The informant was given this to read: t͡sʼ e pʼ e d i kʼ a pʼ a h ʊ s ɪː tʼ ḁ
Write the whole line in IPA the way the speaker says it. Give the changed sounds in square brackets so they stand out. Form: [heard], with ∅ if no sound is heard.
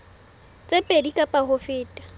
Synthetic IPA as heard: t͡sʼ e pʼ e d i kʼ a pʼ a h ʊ [f] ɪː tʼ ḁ